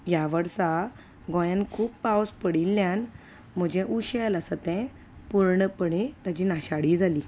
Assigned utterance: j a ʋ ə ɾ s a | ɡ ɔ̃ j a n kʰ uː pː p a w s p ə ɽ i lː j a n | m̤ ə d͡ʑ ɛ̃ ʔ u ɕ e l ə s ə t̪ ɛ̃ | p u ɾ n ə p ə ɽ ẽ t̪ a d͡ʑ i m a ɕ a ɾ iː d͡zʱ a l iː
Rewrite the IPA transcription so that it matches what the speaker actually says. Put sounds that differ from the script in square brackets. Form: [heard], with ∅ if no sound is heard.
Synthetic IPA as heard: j a ʋ ə ɾ s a | ɡ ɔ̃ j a n kʰ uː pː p a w s p ə ɽ i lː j a n | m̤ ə d͡ʑ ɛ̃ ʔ u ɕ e l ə s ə t̪ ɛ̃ | p u ɾ [ɳ] ə p ə ɽ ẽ t̪ a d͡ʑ i [n] a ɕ a [ɽ] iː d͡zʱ a l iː